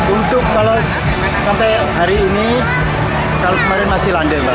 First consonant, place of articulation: alveolar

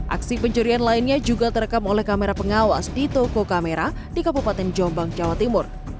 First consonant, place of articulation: glottal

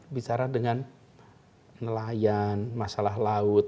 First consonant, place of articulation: labial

